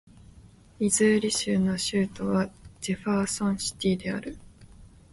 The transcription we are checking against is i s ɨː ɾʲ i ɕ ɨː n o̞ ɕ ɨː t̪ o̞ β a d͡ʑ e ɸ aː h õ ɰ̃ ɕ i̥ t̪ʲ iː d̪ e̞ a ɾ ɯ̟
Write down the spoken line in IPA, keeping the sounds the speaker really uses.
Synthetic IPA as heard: i z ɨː ɾʲ i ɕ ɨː n o̞ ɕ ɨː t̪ o̞ β a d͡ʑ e ɸ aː s õ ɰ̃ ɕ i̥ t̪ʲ iː d̪ e̞ a ɾ ɯ̟